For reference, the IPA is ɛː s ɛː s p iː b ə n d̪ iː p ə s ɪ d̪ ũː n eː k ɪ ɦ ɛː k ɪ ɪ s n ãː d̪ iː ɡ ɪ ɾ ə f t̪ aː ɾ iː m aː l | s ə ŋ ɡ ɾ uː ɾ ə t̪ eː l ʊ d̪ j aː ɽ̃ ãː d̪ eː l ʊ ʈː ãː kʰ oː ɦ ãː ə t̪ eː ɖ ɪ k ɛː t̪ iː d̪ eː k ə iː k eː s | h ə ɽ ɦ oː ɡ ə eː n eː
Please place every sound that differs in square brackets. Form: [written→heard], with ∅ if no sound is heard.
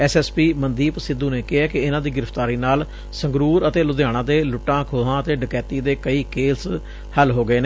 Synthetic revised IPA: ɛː s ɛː s p iː [b→m] ə n d̪ iː p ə s ɪ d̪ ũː n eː k ɪ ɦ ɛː k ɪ ɪ [s→∅] n ãː d̪ iː ɡ ɪ ɾ ə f t̪ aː ɾ iː [m→n] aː l | s ə ŋ ɡ ɾ uː ɾ ə t̪ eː l ʊ d̪ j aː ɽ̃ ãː d̪ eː l ʊ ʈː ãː kʰ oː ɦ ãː ə t̪ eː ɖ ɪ k ɛː t̪ iː d̪ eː k ə iː k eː s | h ə [ɽ→l] ɦ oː ɡ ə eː n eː